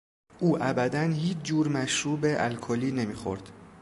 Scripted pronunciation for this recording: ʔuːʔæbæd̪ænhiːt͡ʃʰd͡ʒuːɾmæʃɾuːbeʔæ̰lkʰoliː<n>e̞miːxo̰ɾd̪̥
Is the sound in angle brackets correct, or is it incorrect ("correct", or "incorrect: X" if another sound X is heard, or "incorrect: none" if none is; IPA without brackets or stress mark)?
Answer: correct